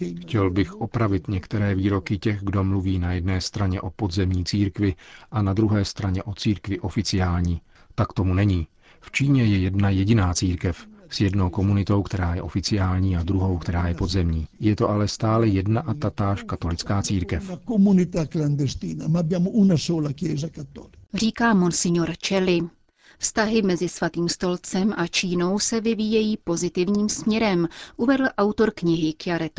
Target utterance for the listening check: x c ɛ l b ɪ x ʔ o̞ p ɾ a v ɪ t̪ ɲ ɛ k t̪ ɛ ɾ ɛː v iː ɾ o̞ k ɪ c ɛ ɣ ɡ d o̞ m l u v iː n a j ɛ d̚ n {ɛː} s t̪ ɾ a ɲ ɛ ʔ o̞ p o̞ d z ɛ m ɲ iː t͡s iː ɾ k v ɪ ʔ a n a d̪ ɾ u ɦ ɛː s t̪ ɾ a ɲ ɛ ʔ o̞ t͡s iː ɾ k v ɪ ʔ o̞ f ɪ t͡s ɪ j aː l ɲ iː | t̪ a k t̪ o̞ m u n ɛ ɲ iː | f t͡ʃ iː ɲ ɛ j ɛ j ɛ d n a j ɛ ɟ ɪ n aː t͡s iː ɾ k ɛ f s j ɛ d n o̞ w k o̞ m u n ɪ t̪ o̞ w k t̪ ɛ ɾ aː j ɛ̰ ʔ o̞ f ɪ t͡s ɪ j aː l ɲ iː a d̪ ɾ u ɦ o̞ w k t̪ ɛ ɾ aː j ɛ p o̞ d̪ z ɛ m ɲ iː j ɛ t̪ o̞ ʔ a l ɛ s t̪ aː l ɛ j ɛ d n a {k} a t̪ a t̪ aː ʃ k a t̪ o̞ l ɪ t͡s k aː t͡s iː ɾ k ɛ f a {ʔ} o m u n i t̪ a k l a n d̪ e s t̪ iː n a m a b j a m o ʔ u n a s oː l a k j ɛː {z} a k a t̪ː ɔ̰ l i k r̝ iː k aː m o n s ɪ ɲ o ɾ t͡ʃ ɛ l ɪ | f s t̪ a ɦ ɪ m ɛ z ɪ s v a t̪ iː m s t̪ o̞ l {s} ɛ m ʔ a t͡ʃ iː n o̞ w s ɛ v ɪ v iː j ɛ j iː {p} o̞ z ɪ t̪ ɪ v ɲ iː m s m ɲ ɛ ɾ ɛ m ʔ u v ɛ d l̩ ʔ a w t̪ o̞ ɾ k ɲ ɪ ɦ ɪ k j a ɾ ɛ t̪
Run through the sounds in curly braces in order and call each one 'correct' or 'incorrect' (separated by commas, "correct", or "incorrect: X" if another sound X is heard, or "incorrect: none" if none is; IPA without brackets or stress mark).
correct, incorrect: ʔ, incorrect: k, correct, incorrect: t͡s, correct